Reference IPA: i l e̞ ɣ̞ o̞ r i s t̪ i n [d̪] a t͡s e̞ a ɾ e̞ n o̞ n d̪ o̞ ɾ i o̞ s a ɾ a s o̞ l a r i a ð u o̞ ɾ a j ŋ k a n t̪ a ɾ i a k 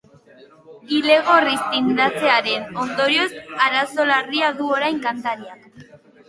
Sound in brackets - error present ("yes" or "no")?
no